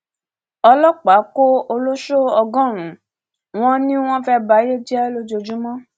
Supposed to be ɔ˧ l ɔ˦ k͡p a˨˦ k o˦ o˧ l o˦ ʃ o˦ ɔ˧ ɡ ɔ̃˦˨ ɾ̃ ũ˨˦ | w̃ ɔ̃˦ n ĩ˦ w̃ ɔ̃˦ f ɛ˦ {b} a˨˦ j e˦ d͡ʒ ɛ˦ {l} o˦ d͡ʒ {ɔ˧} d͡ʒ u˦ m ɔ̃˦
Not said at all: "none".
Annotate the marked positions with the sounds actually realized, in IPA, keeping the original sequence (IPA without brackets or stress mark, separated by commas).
b, l, o˧